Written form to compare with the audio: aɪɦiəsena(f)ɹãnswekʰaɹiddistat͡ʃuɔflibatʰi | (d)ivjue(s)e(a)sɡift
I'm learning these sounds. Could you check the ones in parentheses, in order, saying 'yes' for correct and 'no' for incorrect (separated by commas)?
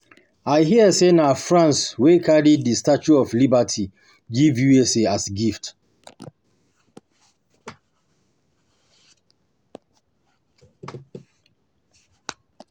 yes, no, yes, yes